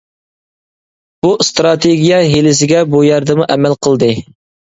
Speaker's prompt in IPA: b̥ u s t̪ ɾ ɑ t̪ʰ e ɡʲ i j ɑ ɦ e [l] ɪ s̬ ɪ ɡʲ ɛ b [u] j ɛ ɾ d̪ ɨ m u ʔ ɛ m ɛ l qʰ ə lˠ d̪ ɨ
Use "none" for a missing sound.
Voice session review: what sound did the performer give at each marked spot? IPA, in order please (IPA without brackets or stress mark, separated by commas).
l, u